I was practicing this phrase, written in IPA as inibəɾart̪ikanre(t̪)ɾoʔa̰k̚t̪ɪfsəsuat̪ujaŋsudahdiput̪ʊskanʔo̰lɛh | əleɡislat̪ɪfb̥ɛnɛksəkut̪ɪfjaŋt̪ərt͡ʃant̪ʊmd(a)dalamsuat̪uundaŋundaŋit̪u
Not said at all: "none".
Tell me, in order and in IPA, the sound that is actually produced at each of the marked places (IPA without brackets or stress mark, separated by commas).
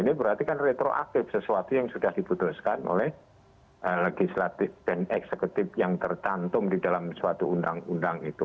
t̪, i